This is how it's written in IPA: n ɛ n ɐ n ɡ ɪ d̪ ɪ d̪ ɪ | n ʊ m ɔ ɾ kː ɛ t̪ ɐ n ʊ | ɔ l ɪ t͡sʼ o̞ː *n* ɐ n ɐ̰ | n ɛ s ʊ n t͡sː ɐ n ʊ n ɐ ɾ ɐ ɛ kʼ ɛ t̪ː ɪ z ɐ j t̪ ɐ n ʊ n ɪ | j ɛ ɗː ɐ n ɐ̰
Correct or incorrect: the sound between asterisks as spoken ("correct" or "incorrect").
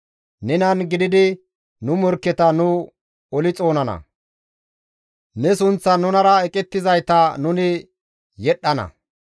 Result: correct